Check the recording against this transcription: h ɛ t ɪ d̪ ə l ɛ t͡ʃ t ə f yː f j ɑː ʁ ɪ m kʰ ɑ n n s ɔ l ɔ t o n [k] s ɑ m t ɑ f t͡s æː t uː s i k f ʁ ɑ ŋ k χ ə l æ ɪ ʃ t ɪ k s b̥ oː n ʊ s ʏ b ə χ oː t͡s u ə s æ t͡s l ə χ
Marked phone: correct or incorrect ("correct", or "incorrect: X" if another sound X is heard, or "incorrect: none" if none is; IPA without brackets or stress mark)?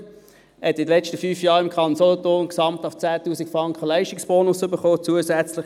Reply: correct